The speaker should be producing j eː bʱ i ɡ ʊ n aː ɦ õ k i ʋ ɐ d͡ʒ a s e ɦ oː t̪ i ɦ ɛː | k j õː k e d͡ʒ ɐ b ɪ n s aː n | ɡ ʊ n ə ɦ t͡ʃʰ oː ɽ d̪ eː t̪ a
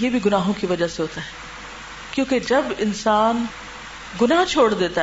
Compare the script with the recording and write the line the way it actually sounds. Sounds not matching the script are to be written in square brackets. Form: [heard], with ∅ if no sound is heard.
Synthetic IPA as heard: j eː bʱ i ɡ ʊ n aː ɦ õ k i ʋ ɐ d͡ʒ a s e ɦ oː t̪ [a] ɦ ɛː | k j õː k e d͡ʒ ɐ b ɪ n s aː n | ɡ ʊ n [a] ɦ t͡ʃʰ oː ɽ d̪ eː t̪ a